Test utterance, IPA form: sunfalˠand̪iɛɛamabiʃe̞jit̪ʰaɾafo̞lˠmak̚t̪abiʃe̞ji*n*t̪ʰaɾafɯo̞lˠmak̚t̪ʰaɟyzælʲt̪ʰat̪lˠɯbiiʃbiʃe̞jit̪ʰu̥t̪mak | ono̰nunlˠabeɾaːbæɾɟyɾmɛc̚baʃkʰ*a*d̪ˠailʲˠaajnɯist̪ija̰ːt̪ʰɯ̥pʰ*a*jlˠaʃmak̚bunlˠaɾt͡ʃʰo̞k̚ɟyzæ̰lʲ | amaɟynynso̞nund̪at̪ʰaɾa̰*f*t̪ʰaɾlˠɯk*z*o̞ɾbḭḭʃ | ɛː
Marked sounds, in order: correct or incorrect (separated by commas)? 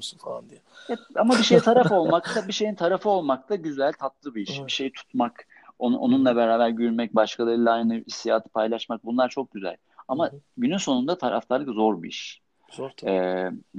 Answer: correct, correct, correct, correct, correct